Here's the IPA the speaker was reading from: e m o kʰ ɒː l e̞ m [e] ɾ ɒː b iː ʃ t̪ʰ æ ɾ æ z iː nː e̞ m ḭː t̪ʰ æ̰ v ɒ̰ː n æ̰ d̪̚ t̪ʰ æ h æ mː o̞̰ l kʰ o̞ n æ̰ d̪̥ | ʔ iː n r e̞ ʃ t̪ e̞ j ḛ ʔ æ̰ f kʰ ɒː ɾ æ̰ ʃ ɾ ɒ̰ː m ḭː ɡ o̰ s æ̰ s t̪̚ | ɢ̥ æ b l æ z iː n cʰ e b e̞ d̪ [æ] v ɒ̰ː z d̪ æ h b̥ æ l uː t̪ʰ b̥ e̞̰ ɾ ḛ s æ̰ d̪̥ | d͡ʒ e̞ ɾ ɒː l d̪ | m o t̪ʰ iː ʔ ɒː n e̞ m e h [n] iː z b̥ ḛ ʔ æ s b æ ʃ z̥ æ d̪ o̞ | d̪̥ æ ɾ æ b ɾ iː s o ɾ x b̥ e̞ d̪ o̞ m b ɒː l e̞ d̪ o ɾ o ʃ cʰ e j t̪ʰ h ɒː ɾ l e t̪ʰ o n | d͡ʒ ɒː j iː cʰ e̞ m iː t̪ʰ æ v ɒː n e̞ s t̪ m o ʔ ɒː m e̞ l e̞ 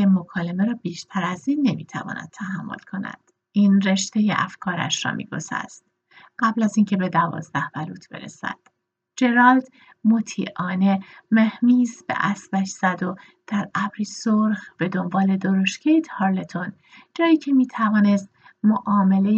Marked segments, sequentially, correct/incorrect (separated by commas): correct, correct, incorrect